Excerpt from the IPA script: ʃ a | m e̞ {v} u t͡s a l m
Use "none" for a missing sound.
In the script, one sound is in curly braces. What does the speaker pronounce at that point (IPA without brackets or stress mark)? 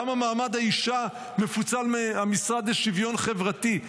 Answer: f